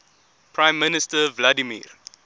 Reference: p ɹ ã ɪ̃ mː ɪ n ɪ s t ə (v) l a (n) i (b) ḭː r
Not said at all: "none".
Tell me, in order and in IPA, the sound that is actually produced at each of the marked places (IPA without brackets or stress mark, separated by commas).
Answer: v, d, m